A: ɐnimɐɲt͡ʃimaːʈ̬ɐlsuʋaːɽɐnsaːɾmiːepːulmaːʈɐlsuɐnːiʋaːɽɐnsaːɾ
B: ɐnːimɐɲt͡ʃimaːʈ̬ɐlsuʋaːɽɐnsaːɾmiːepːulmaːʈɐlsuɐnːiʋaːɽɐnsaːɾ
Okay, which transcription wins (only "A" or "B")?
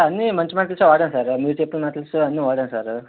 B